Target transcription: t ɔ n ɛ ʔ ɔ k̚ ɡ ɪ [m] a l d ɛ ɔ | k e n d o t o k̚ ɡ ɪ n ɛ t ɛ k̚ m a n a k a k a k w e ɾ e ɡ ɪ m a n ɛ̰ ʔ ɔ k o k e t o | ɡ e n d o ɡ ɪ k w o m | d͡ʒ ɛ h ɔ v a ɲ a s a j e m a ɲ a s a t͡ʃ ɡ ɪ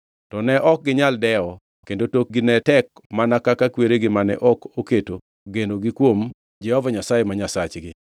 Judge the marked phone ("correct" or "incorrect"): incorrect